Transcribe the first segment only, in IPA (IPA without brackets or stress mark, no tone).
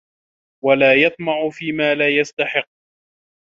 w